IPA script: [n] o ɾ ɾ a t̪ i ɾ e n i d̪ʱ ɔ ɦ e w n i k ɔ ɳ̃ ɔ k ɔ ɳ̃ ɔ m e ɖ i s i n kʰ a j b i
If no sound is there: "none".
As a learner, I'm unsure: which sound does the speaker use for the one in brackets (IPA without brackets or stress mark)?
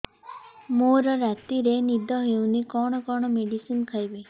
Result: m